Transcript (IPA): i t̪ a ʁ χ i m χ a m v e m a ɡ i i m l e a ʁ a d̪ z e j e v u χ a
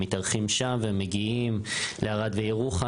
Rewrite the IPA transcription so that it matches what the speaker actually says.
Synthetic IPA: i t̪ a ʁ χ i m ʃ a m v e m e ɡ i i m l e a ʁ a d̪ v e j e ʁ u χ a